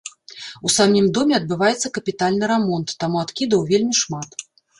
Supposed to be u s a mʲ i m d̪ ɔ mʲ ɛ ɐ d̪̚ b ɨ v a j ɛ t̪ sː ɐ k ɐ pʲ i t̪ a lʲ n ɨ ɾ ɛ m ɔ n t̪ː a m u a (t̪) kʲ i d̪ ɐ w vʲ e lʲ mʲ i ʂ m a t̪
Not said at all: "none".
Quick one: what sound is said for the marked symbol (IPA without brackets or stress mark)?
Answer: t̪